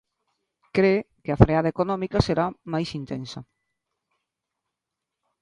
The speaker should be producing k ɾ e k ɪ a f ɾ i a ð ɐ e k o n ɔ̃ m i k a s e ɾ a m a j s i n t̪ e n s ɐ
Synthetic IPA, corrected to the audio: k ɾ e k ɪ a f ɾ e a ð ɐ e k o n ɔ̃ m i k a s e ɾ a m a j s i n t̪ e n s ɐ